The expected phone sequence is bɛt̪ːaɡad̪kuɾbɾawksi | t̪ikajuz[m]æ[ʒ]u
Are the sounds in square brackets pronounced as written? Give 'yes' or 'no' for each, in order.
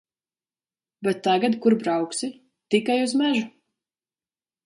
yes, yes

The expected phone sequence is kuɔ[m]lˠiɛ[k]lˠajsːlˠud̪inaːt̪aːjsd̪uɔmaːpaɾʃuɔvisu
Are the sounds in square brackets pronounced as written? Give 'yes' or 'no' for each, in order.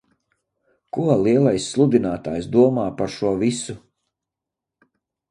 no, no

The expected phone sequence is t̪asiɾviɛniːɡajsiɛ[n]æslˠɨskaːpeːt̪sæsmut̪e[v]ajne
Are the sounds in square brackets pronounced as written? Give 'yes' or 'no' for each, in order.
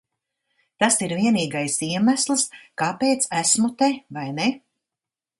no, yes

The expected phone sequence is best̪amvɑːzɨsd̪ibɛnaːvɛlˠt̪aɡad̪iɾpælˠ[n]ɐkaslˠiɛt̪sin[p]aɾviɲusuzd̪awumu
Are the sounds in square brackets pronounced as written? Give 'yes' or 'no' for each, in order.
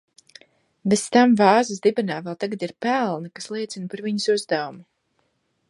yes, yes

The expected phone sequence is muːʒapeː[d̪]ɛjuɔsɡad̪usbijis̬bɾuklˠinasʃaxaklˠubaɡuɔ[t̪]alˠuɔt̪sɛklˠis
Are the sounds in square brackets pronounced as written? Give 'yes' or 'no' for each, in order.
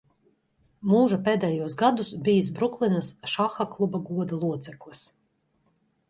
yes, no

